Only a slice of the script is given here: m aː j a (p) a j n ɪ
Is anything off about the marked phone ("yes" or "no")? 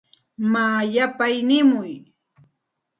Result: no